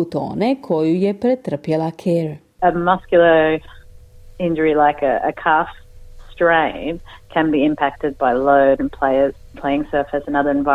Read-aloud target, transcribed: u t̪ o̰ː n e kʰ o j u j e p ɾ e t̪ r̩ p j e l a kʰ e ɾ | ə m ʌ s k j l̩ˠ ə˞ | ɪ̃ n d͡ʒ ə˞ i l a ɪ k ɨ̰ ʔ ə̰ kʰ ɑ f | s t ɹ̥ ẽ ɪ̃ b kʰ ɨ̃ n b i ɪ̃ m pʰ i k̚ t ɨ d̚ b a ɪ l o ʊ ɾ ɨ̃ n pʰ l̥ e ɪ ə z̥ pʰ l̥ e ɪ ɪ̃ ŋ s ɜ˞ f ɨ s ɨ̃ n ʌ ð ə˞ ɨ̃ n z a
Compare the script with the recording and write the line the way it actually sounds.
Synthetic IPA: u t̪ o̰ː n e kʰ o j u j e p ɾ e t̪ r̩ p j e l a kʰ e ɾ | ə m ʌ s k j l̩ˠ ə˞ | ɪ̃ n d͡ʒ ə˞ i l a ɪ k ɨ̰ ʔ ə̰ kʰ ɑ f | s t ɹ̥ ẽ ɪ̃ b kʰ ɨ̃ n b i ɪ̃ m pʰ æ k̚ t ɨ d̚ b a ɪ l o ʊ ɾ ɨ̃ n pʰ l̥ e ɪ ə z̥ pʰ l̥ e ɪ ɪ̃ ŋ s ɜ˞ f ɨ s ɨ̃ n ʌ ð ə˞ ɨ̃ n v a